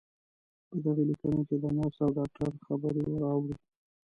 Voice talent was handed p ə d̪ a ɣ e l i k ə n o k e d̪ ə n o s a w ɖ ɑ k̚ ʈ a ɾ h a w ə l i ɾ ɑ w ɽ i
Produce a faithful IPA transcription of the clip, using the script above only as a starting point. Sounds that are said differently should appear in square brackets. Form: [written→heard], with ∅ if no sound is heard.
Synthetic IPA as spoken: p ə d̪ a ɣ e l i k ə n o k e d̪ ə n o s a w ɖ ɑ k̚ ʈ a ɾ [h→x] a [w→b] ə [l→ɾ] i ɾ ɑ w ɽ i